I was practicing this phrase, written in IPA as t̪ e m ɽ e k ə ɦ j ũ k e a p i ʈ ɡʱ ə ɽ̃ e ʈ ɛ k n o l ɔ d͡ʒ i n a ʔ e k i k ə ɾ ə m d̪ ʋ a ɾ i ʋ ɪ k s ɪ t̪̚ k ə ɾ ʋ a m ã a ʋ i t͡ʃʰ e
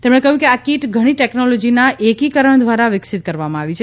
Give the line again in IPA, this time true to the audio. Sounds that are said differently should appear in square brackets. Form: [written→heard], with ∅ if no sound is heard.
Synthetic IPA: t̪ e m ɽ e k ə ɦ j ũ k e a [p→k] i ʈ ɡʱ ə ɽ̃ [e→i] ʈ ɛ k n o l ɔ d͡ʒ i n a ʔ e k i k ə ɾ ə [m→ɳ] d̪ ʋ a ɾ [i→a] ʋ ɪ k s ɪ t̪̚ k ə ɾ ʋ a m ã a ʋ i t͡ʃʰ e